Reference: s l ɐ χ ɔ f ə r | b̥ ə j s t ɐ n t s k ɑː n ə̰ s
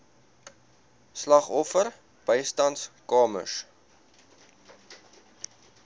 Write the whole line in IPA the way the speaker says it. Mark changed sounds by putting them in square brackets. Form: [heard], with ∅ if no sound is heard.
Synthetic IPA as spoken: s l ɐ χ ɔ f ə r | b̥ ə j s t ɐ n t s k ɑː [m] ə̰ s